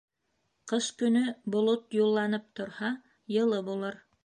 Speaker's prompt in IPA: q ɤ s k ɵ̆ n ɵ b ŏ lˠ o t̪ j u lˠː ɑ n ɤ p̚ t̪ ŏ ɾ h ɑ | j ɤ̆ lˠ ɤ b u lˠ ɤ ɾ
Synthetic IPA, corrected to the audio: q ɤ s k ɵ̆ n ɵ b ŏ lˠ o t̪ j u lˠː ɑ n ɤ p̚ t̪ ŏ ɾ h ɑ | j ɤ̆ lˠ ɤ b u lˠ ɤ ɾ